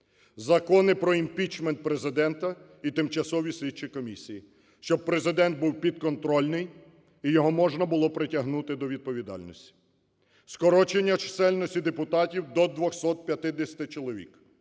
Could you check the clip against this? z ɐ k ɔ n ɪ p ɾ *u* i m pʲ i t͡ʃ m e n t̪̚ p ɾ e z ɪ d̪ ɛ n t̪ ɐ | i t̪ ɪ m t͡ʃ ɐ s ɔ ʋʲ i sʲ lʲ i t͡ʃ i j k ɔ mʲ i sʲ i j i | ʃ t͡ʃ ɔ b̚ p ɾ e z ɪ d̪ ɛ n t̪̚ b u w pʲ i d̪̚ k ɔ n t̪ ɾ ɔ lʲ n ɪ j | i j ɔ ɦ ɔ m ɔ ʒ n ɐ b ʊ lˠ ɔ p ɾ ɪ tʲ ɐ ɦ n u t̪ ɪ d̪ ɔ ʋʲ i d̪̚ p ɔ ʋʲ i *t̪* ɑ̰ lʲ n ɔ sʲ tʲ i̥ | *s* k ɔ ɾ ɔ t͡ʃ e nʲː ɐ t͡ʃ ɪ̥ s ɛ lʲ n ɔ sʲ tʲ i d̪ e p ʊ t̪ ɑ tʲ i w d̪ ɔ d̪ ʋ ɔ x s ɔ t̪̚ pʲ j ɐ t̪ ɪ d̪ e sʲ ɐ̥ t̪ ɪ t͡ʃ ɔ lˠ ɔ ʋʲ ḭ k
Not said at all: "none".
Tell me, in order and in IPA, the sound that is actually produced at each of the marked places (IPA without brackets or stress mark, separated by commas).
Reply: ɔ, d̪, s